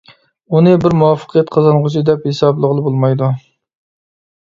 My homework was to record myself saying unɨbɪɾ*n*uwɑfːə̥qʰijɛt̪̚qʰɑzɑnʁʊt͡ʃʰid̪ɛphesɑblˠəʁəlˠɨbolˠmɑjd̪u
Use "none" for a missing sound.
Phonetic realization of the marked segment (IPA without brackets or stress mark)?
m